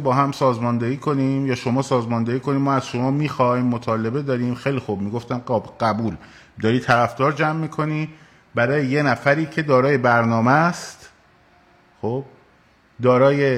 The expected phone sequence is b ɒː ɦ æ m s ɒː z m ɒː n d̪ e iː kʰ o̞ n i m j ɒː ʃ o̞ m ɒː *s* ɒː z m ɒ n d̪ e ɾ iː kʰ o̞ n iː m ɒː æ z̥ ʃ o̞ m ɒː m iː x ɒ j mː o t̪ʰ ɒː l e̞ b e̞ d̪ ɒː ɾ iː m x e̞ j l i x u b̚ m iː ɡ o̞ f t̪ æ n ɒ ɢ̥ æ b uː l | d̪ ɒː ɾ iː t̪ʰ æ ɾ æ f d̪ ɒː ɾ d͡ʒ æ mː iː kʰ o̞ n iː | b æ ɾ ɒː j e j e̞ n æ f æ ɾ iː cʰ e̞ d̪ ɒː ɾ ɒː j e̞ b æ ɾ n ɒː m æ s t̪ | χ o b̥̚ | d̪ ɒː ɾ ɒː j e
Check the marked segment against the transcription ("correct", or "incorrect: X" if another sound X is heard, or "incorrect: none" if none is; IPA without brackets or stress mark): correct